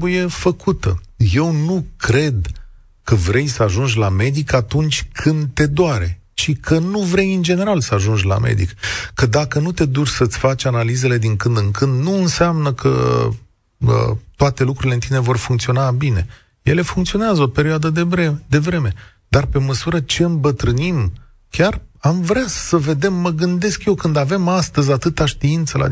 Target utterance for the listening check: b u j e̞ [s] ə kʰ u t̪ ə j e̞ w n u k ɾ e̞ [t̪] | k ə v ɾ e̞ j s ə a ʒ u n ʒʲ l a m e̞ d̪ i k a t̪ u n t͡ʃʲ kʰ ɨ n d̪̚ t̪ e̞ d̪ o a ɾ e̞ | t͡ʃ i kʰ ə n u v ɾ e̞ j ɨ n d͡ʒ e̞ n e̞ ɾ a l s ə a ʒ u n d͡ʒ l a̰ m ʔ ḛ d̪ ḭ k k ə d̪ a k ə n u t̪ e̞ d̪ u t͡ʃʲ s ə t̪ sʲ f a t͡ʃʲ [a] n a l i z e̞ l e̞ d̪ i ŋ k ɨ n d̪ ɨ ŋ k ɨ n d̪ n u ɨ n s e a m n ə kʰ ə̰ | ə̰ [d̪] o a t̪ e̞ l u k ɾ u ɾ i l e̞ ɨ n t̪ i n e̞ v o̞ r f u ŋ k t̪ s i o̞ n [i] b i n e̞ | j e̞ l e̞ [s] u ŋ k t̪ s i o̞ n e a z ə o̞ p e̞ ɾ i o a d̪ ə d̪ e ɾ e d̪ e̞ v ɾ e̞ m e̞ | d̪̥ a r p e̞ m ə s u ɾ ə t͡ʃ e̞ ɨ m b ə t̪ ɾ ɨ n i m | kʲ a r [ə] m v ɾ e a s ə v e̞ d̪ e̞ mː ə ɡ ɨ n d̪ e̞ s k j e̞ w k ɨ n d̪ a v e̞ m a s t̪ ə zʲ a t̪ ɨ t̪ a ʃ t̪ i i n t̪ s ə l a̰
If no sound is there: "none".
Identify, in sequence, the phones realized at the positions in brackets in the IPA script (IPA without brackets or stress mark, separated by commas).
f, d̪, a, t̪, a, f, a